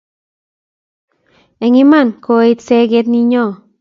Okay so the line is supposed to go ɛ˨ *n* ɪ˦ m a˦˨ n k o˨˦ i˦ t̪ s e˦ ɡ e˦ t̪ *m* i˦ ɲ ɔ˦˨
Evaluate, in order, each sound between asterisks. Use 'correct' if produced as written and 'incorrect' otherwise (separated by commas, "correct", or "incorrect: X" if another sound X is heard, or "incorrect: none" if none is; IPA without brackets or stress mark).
incorrect: ŋ, incorrect: n